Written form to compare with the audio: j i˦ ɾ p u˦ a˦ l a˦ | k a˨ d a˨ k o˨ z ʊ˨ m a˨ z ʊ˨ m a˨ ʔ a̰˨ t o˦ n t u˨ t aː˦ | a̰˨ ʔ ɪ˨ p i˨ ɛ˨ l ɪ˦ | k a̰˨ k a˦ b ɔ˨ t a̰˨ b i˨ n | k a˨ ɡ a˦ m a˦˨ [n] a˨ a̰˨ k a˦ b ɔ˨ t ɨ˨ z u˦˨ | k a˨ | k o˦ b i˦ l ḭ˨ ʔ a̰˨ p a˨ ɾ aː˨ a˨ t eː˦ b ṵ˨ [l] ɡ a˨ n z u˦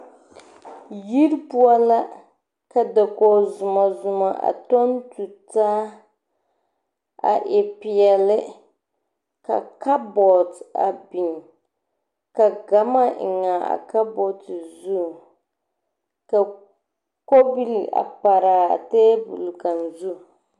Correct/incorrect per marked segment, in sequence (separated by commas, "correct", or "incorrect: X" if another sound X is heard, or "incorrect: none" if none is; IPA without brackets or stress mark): incorrect: ŋ, correct